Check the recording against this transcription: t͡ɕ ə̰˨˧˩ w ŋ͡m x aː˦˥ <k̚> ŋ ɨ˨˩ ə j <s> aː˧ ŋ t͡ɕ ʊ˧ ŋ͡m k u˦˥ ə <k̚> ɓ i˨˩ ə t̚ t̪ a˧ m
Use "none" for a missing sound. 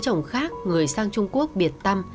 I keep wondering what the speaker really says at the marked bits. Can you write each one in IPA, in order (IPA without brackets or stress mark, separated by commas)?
k̚, s, k̚